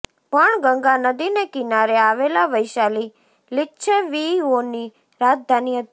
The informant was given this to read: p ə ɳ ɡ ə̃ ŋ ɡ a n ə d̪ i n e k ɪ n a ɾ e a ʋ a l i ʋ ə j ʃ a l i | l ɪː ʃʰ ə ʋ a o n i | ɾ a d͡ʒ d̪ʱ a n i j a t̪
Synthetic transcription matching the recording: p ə ɳ ɡ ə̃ ŋ ɡ a n ə d̪ i n e k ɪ n a ɾ e a ʋ e l a ʋ ə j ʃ a l i | l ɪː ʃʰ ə ʋ i o n i | ɾ a d͡ʒ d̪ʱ a n i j ə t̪